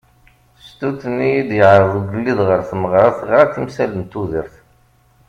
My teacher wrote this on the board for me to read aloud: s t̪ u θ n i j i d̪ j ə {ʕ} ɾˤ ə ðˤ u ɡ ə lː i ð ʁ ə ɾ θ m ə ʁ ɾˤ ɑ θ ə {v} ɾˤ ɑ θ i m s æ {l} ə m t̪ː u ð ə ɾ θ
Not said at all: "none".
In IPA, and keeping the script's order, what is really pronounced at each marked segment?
ʕ, ʁ, l

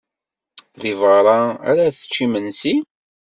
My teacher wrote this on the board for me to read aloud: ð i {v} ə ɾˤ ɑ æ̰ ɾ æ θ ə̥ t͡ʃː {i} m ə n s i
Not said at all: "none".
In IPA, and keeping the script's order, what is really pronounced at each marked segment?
v, i

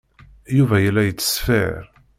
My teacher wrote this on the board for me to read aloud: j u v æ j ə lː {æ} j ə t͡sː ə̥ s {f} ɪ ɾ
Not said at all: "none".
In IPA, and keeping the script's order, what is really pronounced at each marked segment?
æ, f

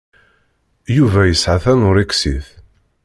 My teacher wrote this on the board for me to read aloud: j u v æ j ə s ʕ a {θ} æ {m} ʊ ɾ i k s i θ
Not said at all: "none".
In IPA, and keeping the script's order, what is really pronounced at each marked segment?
θ, n

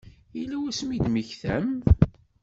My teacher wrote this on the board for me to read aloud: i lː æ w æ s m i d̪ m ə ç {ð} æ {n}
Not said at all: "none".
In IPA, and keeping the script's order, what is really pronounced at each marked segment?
θ, m

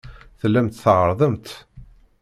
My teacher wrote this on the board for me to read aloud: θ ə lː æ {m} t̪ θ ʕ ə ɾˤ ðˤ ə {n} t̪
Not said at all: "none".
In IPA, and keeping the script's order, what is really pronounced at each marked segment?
m, m

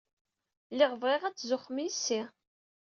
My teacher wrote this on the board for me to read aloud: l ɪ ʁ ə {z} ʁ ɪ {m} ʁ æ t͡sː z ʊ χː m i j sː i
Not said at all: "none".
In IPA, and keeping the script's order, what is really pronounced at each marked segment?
v, none

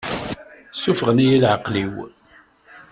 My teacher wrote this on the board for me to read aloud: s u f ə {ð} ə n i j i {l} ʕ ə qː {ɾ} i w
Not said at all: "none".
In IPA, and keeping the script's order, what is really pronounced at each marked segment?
ʁ, l, l

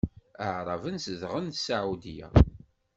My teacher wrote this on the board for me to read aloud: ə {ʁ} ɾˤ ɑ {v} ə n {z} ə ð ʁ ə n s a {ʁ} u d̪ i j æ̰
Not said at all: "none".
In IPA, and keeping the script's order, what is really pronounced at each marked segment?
ʕ, v, s, ʕ

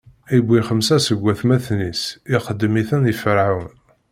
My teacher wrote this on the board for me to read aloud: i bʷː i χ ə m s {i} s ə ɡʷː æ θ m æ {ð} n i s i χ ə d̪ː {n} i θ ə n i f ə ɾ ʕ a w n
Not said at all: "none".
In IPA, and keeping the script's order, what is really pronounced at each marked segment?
æ, θ, m

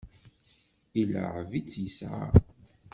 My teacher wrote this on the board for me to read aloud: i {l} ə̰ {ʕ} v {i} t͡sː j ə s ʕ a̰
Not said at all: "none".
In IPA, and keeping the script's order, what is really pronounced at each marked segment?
l, ʕ, i

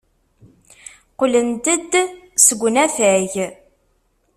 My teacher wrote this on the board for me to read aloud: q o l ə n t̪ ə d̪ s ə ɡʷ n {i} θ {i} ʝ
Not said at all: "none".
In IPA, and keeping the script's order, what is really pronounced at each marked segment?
æ, æ

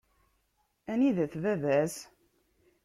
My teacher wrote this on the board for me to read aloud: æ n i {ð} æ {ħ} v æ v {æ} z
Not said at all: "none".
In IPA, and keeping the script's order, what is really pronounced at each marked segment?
ð, θ, æ

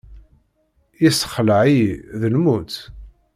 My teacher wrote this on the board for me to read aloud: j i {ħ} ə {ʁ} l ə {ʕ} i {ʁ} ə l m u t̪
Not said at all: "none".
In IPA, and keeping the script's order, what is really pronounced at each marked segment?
s, χ, ʕ, ð

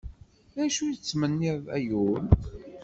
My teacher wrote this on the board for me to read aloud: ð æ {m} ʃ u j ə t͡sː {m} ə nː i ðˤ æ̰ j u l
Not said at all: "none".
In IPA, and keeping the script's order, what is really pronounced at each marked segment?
none, m

